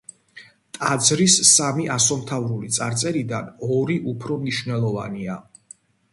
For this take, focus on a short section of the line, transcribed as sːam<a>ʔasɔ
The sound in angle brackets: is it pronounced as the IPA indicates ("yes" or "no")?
no